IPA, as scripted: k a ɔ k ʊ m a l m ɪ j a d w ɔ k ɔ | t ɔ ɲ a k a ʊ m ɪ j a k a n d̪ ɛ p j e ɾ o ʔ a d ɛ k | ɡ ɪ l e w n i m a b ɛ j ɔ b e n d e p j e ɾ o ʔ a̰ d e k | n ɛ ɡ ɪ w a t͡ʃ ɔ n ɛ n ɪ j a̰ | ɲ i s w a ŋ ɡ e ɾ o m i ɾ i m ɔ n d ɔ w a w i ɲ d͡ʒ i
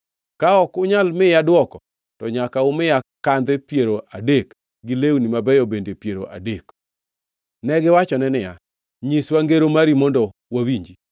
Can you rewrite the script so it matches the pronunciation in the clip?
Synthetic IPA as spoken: k a ɔ k ʊ ɲ a l m ɪ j a d w ɔ k ɔ | t ɔ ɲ a k a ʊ m ɪ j a k a n d̪ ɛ p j e ɾ o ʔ a d e k | ɡ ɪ l e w n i m a b ɛ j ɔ b e n d e p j e ɾ o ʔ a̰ d e k | n ɛ ɡ ɪ w a t͡ʃ ɔ n ɛ n ɪ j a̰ | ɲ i s w a ŋ ɡ e ɾ o m a ɾ i m ɔ n d ɔ w a w i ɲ d͡ʒ i

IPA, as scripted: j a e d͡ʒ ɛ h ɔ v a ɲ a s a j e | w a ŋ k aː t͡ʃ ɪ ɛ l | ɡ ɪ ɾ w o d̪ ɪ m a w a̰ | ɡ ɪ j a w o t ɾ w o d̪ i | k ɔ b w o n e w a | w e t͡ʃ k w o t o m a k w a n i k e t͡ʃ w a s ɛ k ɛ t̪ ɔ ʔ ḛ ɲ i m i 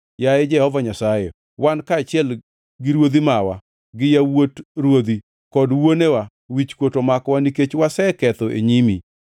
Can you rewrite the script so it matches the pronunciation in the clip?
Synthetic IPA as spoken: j a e d͡ʒ ɛ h ɔ v a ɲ a s a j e | w a n k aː t͡ʃ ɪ ɛ l | ɡ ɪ ɾ w o d̪ i m a w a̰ | ɡ ɪ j a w o t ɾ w o d̪ i | k ɔ d w o n e w a | w i t͡ʃ k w o t o m a k w a n i k e t͡ʃ w a s ɛ k ɛ t̪ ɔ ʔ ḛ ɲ i m i

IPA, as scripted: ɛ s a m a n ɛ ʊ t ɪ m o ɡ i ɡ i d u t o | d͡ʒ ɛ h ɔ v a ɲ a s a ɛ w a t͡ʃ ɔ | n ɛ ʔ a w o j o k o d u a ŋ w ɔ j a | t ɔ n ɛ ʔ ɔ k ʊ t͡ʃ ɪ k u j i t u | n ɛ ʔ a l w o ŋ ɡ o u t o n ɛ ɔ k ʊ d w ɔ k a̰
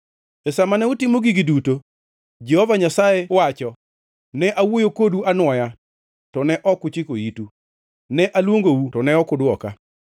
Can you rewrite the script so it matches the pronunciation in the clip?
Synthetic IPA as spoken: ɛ s a m a n ɛ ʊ t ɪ m o ɡ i ɡ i d u t o | d͡ʒ ɛ h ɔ v a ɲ a s a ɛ w a t͡ʃ ɔ | n ɛ ʔ a w o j o k o d u a n w ɔ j a | t ɔ n ɛ ʔ ɔ k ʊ t͡ʃ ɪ k o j i t u | n ɛ ʔ a l w o ŋ ɡ o u t ɔ n ɛ ɔ k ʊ d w ɔ k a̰

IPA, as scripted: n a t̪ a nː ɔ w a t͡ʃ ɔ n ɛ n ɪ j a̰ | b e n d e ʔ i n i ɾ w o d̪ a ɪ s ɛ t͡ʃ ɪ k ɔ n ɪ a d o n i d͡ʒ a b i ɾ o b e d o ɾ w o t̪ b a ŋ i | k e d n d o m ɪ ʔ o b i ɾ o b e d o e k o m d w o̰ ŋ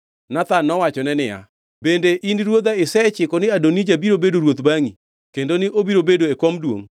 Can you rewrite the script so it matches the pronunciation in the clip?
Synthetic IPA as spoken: n a t̪ a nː ɔ w a t͡ʃ ɔ n ɛ n ɪ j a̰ | b e n d e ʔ i n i ɾ w o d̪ a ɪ s ɛ t͡ʃ ɪ k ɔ n ɪ a d o n i d͡ʒ a b i ɾ o b e d o ɾ w o t̪ b a ŋ i | k e n d o n ɪ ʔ o b i ɾ o b e d o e k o m d w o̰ ŋ

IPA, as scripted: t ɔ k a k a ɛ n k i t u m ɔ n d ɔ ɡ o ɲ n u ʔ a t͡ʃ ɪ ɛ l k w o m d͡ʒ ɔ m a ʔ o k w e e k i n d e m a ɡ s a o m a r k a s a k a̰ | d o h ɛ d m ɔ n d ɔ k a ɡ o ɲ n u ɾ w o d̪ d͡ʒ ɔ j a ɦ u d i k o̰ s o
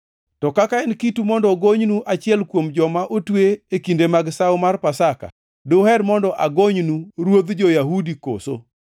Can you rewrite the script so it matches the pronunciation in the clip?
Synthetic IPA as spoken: t ɔ k a k a ɛ n k i t u m ɔ n d ɔ ɡ o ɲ n u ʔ a t͡ʃ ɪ ɛ l k w o m d͡ʒ ɔ m a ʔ o t w e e k i n d e m a ɡ s a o m a r p a s a k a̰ | d o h ɛ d m ɔ n d ɔ ʔ a ɡ o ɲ n u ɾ w o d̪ d͡ʒ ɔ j a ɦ u d i k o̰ s o

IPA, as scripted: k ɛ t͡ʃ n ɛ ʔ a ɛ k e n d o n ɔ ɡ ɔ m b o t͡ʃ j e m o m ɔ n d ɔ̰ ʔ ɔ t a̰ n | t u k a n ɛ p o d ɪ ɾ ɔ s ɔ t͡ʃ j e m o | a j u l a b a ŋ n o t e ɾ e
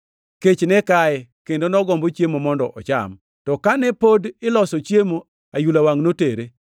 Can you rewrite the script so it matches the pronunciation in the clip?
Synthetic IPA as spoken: k e t͡ʃ n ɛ k a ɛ k e n d o n ɔ ɡ ɔ m b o t͡ʃ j e m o m ɔ n d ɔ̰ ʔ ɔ t͡ʃ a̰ m | t ɔ k a n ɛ p o d ɪ l ɔ s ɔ t͡ʃ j e m o | a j u l a w a ŋ n o t e ɾ e

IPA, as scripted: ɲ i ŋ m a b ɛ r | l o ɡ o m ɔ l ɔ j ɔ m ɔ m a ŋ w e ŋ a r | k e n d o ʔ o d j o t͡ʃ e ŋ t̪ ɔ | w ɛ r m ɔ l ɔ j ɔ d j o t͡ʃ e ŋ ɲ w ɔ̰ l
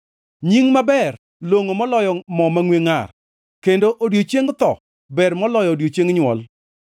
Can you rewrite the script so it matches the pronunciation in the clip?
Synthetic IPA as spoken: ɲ i ŋ m a b ɛ r | l o ŋ o m ɔ l ɔ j ɔ m ɔ m a ŋ w e ŋ a r | k e n d o ʔ o d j o t͡ʃ e ŋ t̪ ɔ | b ɛ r m ɔ l ɔ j ɔ d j o t͡ʃ e ŋ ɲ w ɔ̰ l

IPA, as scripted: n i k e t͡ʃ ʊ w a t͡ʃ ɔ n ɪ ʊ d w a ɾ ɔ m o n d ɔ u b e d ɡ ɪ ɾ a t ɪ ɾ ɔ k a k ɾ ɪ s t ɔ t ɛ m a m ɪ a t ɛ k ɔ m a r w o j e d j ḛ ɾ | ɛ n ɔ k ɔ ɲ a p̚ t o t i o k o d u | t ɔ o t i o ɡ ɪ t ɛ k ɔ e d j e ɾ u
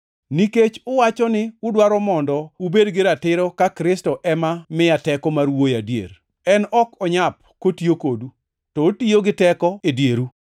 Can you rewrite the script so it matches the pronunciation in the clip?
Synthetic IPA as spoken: n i k e t͡ʃ ʊ w a t͡ʃ ɔ n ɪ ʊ d w a ɾ ɔ m ɔ n d ɔ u b e d ɡ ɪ ɾ a t ɪ ɾ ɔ k a k ɾ ɪ s t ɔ ʔ ɛ m a m ɪ a t ɛ k ɔ m a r w o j a d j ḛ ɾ | ɛ n ɔ k ɔ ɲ a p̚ k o t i o k o d u | t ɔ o t i o ɡ ɪ t ɛ k ɔ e d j e ɾ u

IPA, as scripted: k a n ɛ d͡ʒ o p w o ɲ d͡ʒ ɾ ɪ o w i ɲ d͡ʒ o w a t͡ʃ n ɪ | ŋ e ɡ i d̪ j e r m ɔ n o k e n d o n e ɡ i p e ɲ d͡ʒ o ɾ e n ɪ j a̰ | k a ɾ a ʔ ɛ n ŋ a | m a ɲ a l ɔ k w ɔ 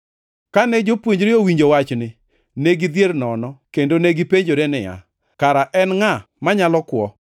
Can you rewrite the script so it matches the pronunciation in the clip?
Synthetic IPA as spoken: k a n ɛ d͡ʒ o p w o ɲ d͡ʒ ɾ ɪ o w i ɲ d͡ʒ o w a t͡ʃ n ɪ | n e ɡ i d̪ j e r n ɔ n ɔ k e n d o n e ɡ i p e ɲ d͡ʒ o ɾ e n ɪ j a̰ | k a ɾ a ʔ ɛ n ŋ a | m a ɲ a l ɔ k w ɔ

